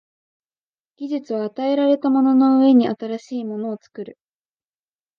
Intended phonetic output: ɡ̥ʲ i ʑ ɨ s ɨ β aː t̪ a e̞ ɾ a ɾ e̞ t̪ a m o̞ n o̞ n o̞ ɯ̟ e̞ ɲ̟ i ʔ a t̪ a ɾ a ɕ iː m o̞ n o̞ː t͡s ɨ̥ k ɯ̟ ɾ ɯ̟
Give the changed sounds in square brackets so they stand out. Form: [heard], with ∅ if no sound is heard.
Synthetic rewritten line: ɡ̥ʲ i ʑ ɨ [t͡s] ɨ β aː t̪ a e̞ ɾ a ɾ e̞ t̪ a m o̞ n o̞ n o̞ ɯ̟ e̞ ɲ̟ i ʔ a t̪ a ɾ a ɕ iː m o̞ n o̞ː t͡s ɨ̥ k ɯ̟ ɾ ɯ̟

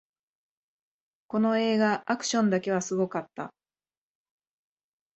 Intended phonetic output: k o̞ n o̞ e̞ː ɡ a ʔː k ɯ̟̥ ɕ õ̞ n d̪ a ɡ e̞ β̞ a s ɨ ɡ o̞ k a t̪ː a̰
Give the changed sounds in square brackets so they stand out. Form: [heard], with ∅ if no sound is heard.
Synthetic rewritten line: k o̞ n o̞ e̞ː ɡ a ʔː k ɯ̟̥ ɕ õ̞ n d̪ a [k] e̞ β̞ a s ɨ ɡ o̞ k a t̪ː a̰

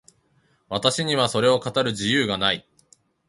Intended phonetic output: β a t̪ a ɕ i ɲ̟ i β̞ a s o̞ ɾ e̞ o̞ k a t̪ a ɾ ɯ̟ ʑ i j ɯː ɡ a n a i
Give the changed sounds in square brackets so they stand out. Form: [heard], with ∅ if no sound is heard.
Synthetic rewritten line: β a t̪ a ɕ i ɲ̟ i β̞ a s o̞ ɾ e̞ o̞ k a t̪ a ɾ ɯ̟ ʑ i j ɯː ɡ a n a i

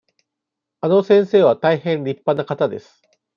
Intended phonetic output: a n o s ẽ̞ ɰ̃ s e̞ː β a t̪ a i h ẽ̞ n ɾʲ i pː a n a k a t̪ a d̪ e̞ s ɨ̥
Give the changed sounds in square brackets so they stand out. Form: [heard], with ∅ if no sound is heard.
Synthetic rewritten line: a n o s ẽ̞ ɰ̃ s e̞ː β a t̪ a i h ẽ̞ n ɾʲ i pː a n a k a t̪ a d̪ e̞ s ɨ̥

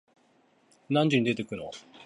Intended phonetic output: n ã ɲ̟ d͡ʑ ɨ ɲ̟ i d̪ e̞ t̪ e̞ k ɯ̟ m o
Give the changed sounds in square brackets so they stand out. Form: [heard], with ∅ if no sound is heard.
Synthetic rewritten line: n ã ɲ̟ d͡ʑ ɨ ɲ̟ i d̪ e̞ t̪ e̞ k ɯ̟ [n] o

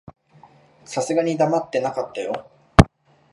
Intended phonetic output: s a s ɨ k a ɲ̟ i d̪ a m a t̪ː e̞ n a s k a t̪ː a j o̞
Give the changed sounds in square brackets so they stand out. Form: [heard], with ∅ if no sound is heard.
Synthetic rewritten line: s a s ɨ [ɡ] a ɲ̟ i d̪ a m a t̪ː e̞ n a [∅] k a t̪ː a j o̞

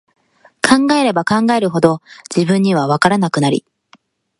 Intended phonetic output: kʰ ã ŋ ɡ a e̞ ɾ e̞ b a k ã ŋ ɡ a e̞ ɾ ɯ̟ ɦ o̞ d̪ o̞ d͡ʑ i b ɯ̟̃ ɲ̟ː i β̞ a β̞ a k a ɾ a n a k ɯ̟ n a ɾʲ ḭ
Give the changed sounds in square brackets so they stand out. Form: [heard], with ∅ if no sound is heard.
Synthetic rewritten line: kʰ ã ŋ ɡ a e̞ ɾ e̞ b a k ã ŋ ɡ a e̞ ɾ ɯ̟ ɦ o̞ d̪ o̞ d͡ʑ i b ɯ̟̃ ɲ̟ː i β̞ a β̞ a k a ɾ a n a k ɯ̟ n a ɾʲ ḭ

